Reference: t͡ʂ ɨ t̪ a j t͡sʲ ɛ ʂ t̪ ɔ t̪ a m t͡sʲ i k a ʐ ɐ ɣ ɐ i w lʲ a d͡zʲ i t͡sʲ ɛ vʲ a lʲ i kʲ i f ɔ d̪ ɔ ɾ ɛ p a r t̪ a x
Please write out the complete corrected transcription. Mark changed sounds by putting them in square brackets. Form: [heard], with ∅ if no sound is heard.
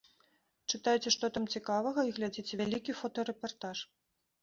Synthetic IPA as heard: t͡ʂ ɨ t̪ a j t͡sʲ ɛ ʂ t̪ ɔ t̪ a m t͡sʲ i k a [v] ɐ ɣ ɐ i [ɣ] lʲ a d͡zʲ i t͡sʲ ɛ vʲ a lʲ i kʲ i f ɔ [t̪] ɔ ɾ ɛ p a r t̪ a [ʂ]